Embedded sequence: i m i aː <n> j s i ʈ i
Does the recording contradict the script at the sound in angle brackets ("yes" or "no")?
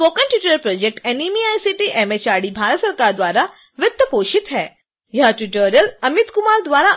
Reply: yes